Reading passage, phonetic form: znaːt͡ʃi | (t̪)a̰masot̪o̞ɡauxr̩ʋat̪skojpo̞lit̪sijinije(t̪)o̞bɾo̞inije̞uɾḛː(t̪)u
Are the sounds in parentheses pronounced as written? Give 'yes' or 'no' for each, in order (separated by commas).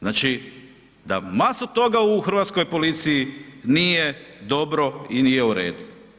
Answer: no, no, no